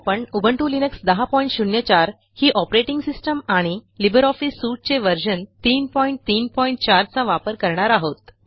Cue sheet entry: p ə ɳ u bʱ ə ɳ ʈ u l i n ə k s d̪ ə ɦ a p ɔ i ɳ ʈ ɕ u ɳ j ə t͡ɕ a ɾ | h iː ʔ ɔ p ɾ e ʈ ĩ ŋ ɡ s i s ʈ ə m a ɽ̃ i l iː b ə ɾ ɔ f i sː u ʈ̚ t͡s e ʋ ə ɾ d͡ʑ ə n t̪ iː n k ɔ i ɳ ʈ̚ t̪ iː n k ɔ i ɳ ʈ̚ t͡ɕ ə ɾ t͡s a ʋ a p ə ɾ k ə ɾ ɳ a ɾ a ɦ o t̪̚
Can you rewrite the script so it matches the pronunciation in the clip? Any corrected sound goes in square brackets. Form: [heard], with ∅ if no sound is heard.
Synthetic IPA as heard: p ə ɳ u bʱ ə ɳ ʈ u l i n ə k s d̪ ə ɦ a p ɔ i ɳ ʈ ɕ u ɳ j ə t͡ɕ a ɾ | h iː ʔ ɔ p ɾ e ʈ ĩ ŋ ɡ s i s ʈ ə m a ɽ̃ i l [i] b ə ɾ ɔ f i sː u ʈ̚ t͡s e ʋ ə ɾ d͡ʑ ə n t̪ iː n [p] ɔ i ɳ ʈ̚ t̪ iː n [p] ɔ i ɳ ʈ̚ t͡ɕ [a] ɾ t͡s a ʋ a p ə ɾ k ə ɾ ɳ a ɾ a ɦ o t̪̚